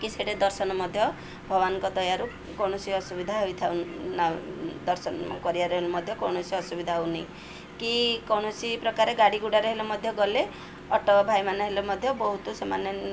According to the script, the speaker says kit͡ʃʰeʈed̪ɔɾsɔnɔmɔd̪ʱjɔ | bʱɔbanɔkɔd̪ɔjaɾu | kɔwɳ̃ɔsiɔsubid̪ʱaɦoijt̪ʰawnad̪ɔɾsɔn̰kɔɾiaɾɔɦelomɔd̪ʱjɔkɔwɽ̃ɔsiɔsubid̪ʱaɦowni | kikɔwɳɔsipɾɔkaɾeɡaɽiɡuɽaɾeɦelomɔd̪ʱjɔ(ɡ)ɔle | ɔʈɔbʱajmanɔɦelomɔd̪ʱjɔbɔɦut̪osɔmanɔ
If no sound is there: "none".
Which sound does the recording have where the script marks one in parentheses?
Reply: ɡ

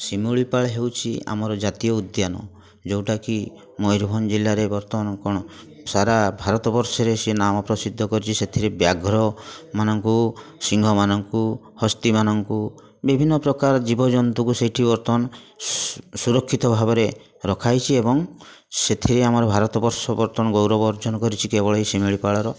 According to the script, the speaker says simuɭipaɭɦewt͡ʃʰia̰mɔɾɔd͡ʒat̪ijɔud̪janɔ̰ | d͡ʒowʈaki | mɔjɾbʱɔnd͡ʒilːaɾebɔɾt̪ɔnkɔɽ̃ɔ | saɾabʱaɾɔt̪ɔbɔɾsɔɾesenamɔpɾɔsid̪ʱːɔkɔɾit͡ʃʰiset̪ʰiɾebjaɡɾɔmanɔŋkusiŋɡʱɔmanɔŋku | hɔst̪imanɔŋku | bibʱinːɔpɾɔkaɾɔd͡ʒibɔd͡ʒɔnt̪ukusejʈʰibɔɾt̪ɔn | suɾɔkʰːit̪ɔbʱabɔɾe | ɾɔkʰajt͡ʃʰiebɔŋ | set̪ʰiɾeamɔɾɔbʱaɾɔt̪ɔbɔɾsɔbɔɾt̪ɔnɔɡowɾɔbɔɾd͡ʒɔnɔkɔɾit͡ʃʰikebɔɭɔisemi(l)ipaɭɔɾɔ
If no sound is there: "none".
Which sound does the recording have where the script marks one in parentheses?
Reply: ɭ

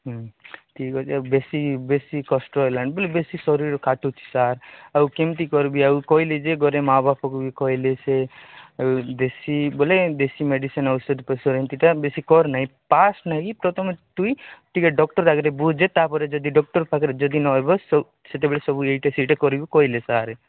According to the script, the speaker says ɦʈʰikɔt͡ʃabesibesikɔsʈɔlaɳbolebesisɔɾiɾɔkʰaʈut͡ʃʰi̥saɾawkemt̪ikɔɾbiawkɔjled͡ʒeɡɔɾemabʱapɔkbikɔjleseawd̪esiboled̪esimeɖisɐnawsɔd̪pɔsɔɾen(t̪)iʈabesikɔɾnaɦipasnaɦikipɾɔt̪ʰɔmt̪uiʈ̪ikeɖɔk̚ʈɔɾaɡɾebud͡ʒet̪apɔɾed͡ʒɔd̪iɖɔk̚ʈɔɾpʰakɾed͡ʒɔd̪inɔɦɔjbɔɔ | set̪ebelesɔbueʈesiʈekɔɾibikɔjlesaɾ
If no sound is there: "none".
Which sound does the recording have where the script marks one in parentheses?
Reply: t̪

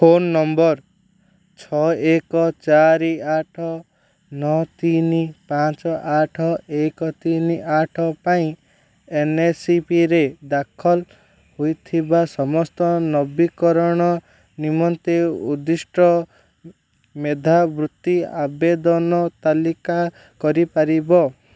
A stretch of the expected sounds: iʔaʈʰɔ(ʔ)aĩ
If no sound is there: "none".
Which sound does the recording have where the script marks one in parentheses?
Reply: p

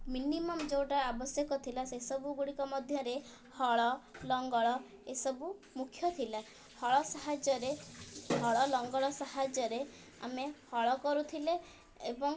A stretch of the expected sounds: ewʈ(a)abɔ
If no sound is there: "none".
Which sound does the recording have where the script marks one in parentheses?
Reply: a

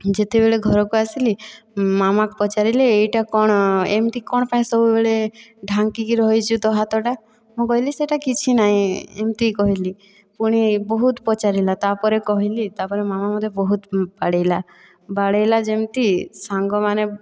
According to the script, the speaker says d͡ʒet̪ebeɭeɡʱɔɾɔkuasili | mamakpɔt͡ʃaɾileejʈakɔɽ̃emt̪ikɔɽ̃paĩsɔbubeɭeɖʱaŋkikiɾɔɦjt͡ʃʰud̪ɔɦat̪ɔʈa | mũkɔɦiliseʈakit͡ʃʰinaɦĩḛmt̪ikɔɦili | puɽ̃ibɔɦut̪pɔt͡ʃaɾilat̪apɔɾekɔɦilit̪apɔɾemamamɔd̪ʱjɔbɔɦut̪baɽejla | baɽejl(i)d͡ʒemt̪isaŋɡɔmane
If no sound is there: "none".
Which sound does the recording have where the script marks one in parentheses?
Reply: a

